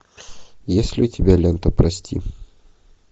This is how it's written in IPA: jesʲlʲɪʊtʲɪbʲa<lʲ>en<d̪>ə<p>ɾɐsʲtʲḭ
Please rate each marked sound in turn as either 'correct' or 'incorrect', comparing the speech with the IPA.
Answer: correct, incorrect: t̪, correct

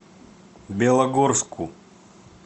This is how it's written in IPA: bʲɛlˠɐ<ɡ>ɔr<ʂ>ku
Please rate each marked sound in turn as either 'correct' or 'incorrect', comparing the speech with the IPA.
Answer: correct, incorrect: s

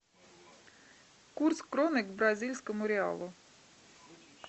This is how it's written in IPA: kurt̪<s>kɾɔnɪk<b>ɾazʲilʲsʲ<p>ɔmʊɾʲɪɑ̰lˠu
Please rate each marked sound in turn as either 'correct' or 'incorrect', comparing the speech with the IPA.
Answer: correct, correct, incorrect: k

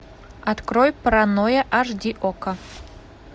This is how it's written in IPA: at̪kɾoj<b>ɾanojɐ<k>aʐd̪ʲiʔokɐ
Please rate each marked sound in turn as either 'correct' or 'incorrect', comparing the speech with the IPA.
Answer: incorrect: p, incorrect: ʔ

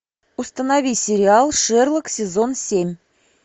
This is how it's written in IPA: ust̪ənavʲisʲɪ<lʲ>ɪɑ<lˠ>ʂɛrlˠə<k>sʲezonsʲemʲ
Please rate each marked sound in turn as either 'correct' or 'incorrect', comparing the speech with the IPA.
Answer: incorrect: ɾʲ, correct, correct

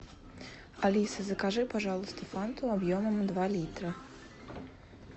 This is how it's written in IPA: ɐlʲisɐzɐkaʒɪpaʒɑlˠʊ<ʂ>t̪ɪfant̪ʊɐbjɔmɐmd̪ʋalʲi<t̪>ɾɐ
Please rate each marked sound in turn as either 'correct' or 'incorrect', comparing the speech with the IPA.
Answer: incorrect: s, correct

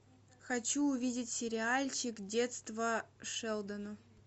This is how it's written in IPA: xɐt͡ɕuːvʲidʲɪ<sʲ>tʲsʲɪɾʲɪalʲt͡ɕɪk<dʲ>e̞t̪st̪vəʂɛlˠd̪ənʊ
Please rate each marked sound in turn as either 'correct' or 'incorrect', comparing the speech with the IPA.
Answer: incorrect: none, correct

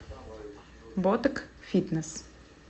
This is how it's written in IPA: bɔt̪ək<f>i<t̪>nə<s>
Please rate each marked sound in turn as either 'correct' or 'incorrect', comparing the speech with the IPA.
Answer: correct, correct, correct

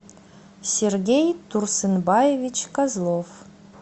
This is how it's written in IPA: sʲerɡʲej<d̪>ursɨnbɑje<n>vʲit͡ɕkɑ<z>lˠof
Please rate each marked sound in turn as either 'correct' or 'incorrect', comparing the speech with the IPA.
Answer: incorrect: t̪, incorrect: none, correct

